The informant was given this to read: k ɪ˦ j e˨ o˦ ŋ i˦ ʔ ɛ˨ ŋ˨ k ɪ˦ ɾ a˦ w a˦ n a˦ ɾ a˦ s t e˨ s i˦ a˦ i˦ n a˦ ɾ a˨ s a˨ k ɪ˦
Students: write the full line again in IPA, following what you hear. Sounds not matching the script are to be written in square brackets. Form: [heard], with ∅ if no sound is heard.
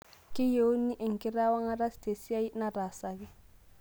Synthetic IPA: k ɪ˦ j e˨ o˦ [n] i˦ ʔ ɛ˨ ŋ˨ k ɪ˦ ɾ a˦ w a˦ [ŋ] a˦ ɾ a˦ s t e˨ s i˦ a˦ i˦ n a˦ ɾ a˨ s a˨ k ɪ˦